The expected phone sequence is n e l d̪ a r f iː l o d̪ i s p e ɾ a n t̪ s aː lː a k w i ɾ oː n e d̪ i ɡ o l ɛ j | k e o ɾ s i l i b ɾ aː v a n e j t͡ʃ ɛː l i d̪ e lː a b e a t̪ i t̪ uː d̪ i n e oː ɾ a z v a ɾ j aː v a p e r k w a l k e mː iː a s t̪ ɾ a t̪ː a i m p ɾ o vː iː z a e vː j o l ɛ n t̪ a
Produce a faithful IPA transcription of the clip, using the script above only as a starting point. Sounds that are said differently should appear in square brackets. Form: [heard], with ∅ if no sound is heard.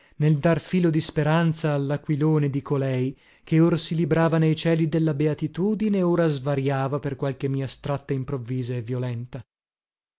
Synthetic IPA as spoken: n e l d̪ a r f iː l o d̪ i s p e ɾ a n t̪ s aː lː a k w i [l] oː n e d̪ i [k] o l ɛ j | k e o ɾ s i l i b ɾ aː v a n e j t͡ʃ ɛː l i d̪ e lː a b e a t̪ i t̪ uː d̪ i n e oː ɾ a z v a ɾ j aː v a p e r k w a l k e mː iː a s t̪ ɾ a t̪ː a i m p ɾ o vː iː z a e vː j o l ɛ n t̪ a

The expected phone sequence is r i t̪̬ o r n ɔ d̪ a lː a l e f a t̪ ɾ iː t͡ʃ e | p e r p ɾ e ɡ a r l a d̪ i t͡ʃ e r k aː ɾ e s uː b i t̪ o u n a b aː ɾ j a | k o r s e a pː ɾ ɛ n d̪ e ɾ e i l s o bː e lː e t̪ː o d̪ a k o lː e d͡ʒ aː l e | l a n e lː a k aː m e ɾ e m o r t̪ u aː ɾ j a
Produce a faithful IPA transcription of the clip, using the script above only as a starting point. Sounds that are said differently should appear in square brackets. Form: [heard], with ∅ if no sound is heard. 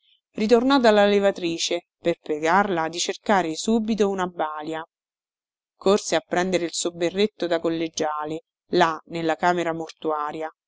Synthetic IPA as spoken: r i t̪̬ o r n ɔ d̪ a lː a l e [v] a t̪ ɾ iː t͡ʃ e | p e r p ɾ e ɡ a r l a d̪ i t͡ʃ e r k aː ɾ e s uː b i t̪ o u n a b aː [l] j a | k o r s e a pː ɾ ɛ n d̪ e ɾ e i l s o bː e [rː] e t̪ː o d̪ a k o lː e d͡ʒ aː l e | l a n e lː a k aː m e ɾ [a] m o r t̪ u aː ɾ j a

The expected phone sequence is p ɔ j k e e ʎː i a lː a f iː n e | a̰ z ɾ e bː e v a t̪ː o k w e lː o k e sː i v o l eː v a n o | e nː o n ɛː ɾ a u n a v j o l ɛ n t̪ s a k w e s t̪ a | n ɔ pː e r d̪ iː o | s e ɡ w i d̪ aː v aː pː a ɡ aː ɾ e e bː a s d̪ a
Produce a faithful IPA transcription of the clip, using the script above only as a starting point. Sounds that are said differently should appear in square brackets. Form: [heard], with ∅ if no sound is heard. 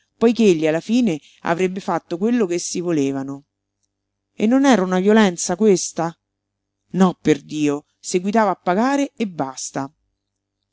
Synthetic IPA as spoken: p ɔ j k e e ʎː i a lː a f iː n e | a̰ [v] ɾ e bː e [f] a t̪ː o k w e lː o k e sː i v o l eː v a n o | e nː o n ɛː ɾ a u n a v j o l ɛ n t̪ s a k w e s t̪ a | n ɔ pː e r d̪ iː o | s e ɡ w i [t̪] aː v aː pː a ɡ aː ɾ e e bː a s [t̪] a

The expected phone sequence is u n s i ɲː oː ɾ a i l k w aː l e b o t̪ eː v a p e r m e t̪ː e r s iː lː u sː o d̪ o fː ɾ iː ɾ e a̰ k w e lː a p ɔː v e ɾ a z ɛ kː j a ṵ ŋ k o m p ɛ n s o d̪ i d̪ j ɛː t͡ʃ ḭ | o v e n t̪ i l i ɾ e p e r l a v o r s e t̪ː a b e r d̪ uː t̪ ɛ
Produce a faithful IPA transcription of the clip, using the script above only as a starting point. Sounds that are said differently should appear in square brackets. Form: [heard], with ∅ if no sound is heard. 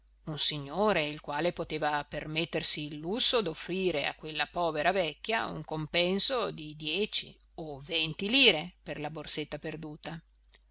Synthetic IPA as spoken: u n s i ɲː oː ɾ [e] i l k w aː l e [p] o t̪ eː v a p e r m e t̪ː e r s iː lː u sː o d̪ o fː ɾ iː ɾ e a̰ k w e lː a p ɔː v e ɾ a [v] ɛ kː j a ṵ ŋ k o m p ɛ n s o d̪ i d̪ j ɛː t͡ʃ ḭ | o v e n t̪ i l [iː] ɾ e p e r l a [b] o r s e t̪ː a [p] e r d̪ uː t̪ [a]

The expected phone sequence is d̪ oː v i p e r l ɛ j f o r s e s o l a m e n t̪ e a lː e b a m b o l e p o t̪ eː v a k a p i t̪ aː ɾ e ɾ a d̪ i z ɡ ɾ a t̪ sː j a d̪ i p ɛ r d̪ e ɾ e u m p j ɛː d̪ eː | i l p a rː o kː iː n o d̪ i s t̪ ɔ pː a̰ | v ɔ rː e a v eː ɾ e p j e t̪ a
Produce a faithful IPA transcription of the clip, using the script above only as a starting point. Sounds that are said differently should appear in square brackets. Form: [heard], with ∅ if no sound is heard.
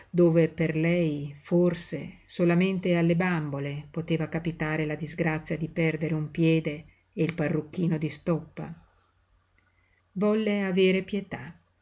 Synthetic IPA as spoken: d̪ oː v [e] p e r l ɛ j f o r s e s o l a m e n t̪ e a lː e b a m b o l e p o t̪ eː v a k a p i t̪ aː ɾ e [l] a d̪ i z ɡ ɾ a t̪ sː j a d̪ i p ɛ r d̪ e ɾ e u m p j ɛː d̪ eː | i l p a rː [u] kː iː n o d̪ i s t̪ ɔ pː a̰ | v ɔ [lː] e a v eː ɾ e p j e t̪ a

